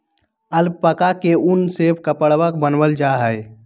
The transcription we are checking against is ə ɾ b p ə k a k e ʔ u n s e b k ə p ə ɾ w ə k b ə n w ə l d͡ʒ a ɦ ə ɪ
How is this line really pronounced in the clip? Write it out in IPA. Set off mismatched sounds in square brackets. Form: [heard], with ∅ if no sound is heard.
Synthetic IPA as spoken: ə [l] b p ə k a k e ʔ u n s e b k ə p ə [ɽ] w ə k b ə n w ə l d͡ʒ a ɦ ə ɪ